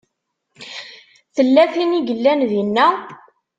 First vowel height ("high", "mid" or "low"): mid